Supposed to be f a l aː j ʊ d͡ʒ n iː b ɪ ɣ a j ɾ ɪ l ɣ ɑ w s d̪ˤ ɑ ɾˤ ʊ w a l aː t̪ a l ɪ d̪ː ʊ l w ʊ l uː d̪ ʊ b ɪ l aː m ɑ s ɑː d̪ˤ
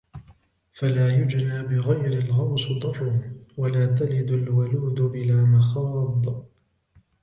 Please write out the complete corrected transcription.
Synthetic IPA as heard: f a l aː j ʊ d͡ʒ n aː b ɪ ɣ a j ɾ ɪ l ɣ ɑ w s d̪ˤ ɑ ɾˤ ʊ w a l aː t̪ a l ɪ d̪ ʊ l w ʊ l uː d̪ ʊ b ɪ l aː m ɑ x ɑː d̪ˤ